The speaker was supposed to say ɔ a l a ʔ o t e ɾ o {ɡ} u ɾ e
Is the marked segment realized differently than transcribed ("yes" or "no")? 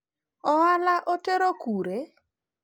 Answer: yes